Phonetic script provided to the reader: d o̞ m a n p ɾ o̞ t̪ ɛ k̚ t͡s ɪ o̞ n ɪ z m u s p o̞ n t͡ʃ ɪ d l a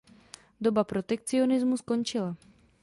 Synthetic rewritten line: d o̞ b a p ɾ o̞ t̪ ɛ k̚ t͡s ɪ o̞ n ɪ z m u s k o̞ n t͡ʃ ɪ l a